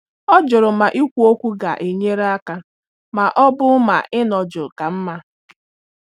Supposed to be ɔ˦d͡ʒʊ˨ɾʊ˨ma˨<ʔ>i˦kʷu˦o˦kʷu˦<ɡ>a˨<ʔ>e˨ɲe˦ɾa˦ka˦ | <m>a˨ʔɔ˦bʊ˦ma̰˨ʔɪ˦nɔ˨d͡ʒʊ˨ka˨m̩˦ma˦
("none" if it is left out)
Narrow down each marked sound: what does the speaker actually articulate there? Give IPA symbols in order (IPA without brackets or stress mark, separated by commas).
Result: ʔ, ɡ, ʔ, m